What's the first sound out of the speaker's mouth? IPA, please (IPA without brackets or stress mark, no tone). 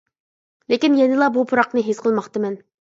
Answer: l